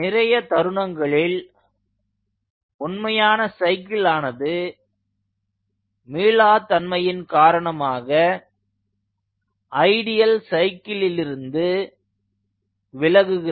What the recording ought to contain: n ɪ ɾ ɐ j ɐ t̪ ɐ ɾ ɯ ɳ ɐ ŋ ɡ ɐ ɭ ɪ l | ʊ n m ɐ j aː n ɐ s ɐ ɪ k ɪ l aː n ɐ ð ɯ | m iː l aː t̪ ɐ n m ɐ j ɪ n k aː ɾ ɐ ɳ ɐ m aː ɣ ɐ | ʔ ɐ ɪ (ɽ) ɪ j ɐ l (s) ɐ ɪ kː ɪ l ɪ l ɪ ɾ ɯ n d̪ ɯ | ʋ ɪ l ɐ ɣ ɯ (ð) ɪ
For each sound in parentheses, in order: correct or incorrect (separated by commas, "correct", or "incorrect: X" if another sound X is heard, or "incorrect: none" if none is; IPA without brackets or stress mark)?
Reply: correct, correct, incorrect: ɣ